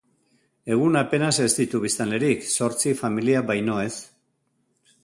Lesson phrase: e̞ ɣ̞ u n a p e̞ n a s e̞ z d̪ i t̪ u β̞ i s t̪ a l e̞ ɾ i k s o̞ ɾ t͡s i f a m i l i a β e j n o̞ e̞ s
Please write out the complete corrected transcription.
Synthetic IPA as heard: e̞ ɣ̞ u n a p e̞ n a s e̞ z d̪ i t̪ u β̞ i s t̪ a l e̞ ɾ i k s o̞ ɾ t͡s i f a m i l i a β a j n o̞ e̞ s

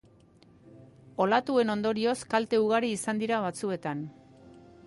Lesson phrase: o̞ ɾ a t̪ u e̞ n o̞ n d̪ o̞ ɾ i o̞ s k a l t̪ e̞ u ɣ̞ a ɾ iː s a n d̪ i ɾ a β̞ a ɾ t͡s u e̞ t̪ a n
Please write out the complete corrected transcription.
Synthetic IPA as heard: o̞ l a t̪ u e̞ n o̞ n d̪ o̞ ɾ i o̞ s k a l t̪ e̞ u ɣ̞ a ɾ iː s a n d̪ i ɾ a β̞ a t͡s u e̞ t̪ a n

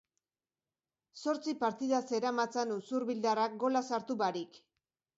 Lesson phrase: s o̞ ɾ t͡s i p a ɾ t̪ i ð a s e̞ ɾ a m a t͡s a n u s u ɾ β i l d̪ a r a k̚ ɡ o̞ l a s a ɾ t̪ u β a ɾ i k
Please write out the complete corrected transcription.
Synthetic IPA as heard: s o̞ ɾ t͡s i p a ɾ t̪ i ð a s e̞ ɾ a m a t͡s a n u s u ɾ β i l d̪ a r a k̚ ɡ o̞ l a s a ɾ t̪ u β a ɾ i k

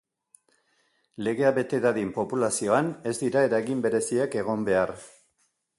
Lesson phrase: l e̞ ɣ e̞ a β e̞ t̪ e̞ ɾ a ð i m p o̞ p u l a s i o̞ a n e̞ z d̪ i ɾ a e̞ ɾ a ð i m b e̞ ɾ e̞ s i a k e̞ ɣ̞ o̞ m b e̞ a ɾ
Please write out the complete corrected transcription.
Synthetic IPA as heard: l e̞ ɣ e̞ a β e̞ t̪ e̞ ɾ a ð i m p o̞ p u l a s i o̞ a n e̞ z d̪ i ɾ a e̞ ɾ a ɣ i m b e̞ ɾ e̞ s i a k e̞ ɣ̞ o̞ m b e̞ a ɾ

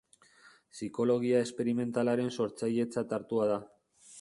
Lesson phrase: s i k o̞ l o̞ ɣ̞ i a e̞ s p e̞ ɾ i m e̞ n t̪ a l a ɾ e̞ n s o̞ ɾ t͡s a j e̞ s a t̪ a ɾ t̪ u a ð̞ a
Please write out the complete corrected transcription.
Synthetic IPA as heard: s i k o̞ l o̞ ɣ̞ i a e̞ s p e̞ ɾ i m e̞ n t̪ a l a ɾ e̞ n s o̞ ɾ t͡s a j e̞ t͡s a t̪ a ɾ t̪ u a ð̞ a

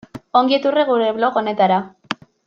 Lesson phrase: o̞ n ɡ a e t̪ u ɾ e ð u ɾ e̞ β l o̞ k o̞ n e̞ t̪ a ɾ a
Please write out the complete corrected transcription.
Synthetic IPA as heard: o̞ ŋ ɡ i e t̪ u r e ɣ u ɾ e̞ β l o̞ k o̞ n e̞ t̪ a ɾ a

